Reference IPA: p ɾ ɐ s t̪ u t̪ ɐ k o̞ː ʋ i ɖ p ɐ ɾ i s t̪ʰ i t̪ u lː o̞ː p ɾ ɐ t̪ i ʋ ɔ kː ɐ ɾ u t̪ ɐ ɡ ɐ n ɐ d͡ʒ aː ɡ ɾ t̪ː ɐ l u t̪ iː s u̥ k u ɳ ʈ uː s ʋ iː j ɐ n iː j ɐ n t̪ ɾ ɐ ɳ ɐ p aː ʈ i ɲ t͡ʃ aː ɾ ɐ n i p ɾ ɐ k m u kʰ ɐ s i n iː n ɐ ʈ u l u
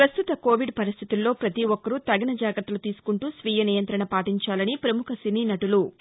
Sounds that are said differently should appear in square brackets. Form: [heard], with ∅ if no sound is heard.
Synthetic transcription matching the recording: p ɾ ɐ s t̪ u t̪ ɐ k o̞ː ʋ i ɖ p ɐ ɾ i s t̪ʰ i t̪ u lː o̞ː p ɾ ɐ t̪ i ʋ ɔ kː ɐ ɾ u t̪ ɐ ɡ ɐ n ɐ d͡ʒ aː ɡ ɾ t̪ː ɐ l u t̪ iː s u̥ k u ɳ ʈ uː s ʋ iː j ɐ n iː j ɐ n t̪ ɾ ɐ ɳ ɐ p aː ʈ i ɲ t͡ʃ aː [l] ɐ n i p ɾ ɐ [∅] m u kʰ ɐ s i n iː n ɐ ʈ u l u